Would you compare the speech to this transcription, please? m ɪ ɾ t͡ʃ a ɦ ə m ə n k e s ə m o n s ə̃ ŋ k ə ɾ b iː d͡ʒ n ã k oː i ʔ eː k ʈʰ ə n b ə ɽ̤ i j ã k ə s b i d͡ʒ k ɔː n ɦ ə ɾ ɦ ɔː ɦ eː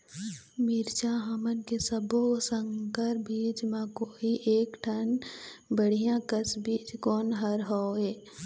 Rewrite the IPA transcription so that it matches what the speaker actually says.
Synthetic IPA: m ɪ ɾ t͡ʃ a ɦ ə m ə n k e s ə b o s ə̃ ŋ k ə ɾ b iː d͡ʒ m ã k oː i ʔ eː k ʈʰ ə n b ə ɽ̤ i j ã k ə s b iː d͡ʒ k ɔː n ɦ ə ɾ ɦ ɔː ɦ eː